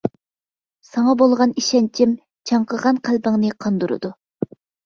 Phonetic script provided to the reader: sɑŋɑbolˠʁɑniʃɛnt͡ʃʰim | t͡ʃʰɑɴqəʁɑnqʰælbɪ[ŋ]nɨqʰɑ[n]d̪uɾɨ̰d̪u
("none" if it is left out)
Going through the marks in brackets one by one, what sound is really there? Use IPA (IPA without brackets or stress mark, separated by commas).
ŋ, n